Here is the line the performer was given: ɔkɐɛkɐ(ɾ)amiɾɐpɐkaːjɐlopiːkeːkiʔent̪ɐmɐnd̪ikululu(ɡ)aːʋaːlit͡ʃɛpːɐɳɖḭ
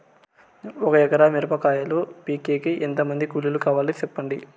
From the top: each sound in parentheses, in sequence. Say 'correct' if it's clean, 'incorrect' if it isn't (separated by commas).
correct, incorrect